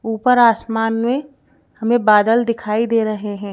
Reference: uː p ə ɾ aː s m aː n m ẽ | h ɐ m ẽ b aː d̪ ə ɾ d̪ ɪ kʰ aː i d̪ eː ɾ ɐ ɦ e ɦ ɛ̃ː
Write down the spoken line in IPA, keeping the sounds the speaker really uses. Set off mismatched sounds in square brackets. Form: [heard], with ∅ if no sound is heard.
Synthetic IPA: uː p ə ɾ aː s m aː n m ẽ | h ɐ m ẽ b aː d̪ ə [l] d̪ ɪ kʰ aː i d̪ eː ɾ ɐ ɦ e ɦ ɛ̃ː